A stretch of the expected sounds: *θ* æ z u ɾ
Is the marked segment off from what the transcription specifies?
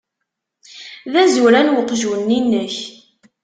yes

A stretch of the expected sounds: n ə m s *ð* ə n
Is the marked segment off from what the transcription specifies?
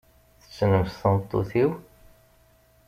yes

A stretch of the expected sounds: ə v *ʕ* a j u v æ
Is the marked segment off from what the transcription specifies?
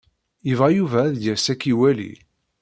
yes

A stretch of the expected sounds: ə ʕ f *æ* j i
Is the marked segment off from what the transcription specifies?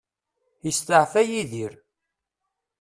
no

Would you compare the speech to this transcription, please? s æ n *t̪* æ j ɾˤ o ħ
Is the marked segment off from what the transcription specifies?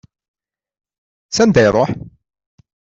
yes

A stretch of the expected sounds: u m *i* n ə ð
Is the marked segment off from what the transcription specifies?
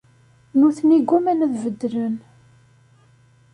yes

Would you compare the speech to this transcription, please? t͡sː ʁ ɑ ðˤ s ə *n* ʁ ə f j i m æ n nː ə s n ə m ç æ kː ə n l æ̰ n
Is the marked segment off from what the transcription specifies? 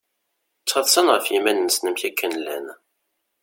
no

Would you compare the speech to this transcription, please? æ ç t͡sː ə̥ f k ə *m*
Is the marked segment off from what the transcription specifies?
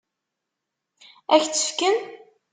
yes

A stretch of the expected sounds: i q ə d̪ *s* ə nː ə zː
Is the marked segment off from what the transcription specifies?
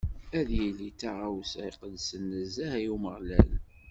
no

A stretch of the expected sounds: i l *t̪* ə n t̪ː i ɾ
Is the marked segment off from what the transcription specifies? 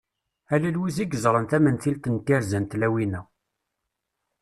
no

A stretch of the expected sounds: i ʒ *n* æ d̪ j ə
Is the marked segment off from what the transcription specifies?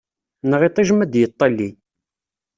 yes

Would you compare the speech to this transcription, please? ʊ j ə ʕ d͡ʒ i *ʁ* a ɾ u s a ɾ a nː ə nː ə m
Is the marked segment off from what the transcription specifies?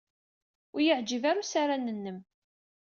yes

